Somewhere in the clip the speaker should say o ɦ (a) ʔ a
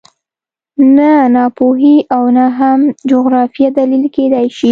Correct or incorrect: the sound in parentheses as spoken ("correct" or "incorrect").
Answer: incorrect